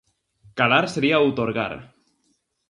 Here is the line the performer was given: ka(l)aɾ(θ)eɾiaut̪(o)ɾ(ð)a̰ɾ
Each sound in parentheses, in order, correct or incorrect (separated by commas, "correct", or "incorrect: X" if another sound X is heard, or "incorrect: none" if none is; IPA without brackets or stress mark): correct, incorrect: s, correct, incorrect: ɣ